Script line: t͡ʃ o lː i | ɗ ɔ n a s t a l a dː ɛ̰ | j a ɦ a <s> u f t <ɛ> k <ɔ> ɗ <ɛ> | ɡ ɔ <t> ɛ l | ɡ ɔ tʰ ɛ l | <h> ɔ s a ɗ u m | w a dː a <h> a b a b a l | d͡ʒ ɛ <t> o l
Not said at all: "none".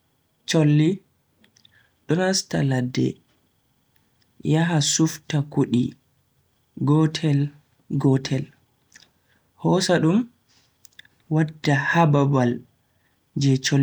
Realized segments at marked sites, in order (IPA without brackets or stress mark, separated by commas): s, a, u, i, tʰ, h, h, t͡ʃ